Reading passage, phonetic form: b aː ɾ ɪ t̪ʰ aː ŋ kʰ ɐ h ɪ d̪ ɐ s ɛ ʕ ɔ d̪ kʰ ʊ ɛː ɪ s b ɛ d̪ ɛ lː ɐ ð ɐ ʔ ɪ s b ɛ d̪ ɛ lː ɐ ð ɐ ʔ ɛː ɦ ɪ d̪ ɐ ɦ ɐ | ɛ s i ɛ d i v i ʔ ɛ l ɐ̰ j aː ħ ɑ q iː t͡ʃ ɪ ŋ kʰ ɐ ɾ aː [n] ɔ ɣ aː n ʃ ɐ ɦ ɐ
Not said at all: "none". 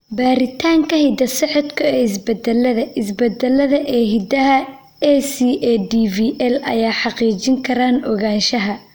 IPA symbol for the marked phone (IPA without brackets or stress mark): n